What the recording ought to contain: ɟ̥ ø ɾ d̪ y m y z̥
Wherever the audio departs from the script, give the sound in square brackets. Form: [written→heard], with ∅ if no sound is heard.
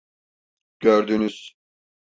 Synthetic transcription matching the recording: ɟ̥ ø ɾ d̪ y [m→n] y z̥